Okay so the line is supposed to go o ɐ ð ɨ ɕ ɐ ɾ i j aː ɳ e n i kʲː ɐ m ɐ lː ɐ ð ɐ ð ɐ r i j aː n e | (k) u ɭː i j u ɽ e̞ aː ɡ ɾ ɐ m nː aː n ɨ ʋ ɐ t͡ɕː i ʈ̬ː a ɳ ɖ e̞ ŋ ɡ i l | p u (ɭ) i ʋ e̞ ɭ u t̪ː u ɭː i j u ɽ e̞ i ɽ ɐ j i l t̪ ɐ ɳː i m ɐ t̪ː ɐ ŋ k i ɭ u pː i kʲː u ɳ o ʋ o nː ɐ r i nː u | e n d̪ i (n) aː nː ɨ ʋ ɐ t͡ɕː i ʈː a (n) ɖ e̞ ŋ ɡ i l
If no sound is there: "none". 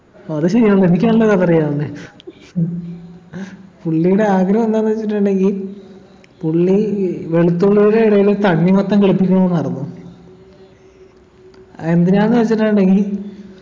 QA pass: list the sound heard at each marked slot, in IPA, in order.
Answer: p, ɭː, n, ɳ

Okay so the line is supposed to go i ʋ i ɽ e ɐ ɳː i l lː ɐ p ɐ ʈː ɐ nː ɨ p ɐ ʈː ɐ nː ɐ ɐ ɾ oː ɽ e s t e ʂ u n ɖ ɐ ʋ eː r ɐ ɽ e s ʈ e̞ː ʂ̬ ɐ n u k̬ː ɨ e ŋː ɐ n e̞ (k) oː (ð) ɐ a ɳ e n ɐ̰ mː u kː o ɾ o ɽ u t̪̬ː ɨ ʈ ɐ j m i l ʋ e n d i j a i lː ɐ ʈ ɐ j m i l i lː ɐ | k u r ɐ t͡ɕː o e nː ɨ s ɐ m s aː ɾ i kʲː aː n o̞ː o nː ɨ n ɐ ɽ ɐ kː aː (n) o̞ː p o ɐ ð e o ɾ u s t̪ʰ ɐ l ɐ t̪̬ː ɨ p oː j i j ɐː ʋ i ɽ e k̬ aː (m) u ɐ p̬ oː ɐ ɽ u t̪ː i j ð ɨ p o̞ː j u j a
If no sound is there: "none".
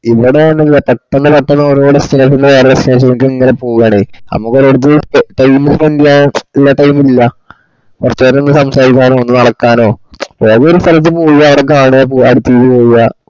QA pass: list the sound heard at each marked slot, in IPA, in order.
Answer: p, ɣ, n, ɳ

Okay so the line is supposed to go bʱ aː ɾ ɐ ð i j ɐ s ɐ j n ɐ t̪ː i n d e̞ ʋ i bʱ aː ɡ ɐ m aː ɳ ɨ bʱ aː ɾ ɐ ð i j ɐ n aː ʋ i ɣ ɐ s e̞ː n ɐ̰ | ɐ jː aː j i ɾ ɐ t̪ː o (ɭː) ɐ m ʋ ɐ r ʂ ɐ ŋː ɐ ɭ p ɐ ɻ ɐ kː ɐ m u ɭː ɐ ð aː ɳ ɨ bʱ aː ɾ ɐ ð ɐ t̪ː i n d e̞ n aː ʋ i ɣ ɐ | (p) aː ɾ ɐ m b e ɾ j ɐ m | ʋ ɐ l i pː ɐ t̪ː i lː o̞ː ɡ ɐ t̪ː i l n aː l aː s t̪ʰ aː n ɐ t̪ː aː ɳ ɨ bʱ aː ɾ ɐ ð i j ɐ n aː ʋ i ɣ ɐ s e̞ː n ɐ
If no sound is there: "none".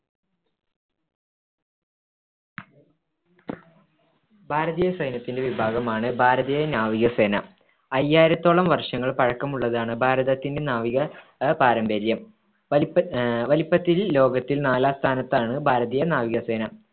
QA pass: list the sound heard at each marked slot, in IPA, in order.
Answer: ɭ, p

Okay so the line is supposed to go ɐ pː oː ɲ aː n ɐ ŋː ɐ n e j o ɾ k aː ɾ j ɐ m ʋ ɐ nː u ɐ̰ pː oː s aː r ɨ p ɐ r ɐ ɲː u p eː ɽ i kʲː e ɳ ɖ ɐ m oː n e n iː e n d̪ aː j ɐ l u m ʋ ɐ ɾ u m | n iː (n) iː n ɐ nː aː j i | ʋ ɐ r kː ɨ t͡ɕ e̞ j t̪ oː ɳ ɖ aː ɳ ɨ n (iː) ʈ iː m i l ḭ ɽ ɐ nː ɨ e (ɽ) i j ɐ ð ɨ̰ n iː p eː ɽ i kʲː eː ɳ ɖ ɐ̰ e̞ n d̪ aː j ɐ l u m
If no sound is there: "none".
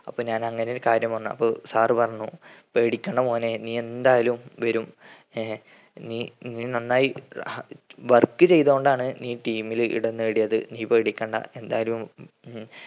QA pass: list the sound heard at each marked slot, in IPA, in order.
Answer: n, iː, ɽ

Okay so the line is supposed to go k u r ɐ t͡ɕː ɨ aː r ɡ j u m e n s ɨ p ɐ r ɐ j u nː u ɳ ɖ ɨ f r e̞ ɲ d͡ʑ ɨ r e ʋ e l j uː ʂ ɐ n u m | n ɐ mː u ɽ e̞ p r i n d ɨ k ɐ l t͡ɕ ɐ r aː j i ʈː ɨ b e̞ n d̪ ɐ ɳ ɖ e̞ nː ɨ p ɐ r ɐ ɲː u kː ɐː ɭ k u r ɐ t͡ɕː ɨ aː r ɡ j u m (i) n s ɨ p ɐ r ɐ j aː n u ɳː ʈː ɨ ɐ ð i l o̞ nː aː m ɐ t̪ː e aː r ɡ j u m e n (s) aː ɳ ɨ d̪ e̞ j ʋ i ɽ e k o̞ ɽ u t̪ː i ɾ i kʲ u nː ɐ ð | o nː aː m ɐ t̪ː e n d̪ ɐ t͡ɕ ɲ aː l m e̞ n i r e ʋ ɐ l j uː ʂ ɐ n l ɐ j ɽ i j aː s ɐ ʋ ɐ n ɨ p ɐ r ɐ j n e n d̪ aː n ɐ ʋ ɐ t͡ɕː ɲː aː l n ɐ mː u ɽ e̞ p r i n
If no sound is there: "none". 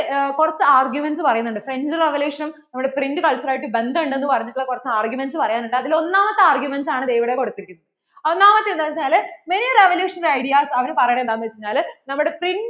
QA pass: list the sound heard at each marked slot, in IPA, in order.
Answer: e, s

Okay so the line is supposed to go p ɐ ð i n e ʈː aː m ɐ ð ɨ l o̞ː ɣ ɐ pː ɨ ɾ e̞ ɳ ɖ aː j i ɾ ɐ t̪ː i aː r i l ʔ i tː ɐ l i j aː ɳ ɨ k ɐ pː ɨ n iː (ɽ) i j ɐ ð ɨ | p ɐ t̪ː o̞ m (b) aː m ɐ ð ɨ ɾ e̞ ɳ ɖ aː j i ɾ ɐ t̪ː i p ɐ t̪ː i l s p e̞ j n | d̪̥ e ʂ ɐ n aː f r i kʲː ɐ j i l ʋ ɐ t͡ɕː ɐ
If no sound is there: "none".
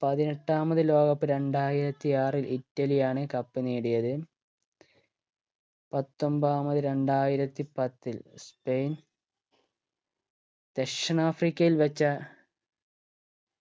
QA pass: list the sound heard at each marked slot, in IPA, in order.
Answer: ɽ, b

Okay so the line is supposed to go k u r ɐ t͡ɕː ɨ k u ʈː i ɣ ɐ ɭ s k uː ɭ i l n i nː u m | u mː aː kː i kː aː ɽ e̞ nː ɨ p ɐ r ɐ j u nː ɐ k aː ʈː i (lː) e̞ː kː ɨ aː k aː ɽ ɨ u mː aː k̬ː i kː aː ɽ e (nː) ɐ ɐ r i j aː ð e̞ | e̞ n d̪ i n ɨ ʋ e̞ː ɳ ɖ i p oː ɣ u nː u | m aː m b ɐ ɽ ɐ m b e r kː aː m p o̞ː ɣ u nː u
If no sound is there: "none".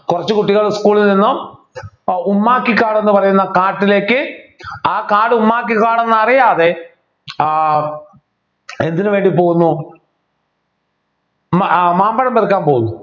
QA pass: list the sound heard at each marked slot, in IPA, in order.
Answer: l, nː

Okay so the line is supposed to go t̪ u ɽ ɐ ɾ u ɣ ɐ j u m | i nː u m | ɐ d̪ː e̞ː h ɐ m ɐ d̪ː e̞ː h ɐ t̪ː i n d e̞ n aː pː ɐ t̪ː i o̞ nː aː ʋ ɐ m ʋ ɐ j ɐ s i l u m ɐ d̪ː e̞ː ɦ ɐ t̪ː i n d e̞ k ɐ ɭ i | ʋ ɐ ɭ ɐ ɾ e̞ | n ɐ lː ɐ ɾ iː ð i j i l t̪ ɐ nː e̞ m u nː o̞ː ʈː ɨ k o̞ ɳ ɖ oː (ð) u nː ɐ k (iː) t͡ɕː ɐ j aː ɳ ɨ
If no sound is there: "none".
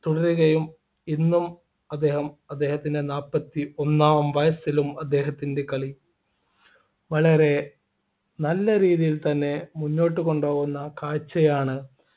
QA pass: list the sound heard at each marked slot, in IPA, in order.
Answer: ɣ, aː

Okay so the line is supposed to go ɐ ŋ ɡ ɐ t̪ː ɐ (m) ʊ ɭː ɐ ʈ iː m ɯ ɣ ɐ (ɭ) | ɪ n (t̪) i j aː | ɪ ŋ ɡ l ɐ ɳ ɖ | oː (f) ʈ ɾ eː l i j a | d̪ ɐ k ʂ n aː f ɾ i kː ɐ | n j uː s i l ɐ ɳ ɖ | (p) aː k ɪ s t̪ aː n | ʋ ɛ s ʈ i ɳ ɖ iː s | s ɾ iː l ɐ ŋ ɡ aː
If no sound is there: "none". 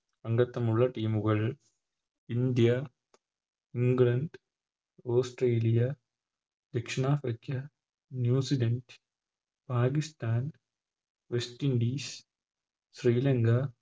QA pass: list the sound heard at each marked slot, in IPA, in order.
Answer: m, ɭ, d̪, s, p

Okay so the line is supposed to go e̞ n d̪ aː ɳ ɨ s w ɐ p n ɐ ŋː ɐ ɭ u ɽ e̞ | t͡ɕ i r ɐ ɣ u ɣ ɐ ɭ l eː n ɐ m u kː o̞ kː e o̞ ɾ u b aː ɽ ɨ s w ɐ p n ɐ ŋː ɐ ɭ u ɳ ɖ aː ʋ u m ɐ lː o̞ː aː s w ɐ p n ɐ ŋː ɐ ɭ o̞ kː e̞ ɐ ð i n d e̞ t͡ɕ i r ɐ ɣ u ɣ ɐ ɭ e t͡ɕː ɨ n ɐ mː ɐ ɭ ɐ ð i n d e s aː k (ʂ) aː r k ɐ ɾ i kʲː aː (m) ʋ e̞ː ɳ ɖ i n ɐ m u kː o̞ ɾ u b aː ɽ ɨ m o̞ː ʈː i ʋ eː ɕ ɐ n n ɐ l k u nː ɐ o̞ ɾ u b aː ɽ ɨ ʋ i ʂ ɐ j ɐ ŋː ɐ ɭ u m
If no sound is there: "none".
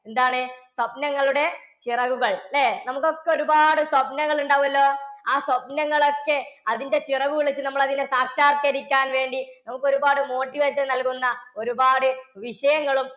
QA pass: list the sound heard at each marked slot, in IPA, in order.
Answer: ʂ, n

